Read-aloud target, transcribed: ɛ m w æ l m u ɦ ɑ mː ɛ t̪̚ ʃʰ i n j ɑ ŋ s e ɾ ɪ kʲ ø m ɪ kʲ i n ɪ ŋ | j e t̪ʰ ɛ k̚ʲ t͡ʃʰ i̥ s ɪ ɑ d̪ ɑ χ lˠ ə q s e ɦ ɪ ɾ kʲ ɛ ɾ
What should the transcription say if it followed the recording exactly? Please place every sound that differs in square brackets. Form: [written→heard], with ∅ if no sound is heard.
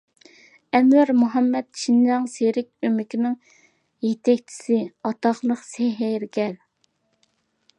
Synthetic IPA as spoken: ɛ m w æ [l→ɾ] m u ɦ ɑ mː ɛ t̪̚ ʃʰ i n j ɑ ŋ s e ɾ ɪ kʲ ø m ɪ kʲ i n ɪ ŋ | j e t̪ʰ ɛ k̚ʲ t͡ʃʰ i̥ s ɪ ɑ [d̪→t̪] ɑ χ lˠ ə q s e ɦ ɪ ɾ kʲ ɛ ɾ